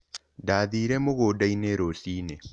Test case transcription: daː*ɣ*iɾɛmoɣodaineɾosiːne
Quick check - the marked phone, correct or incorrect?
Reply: incorrect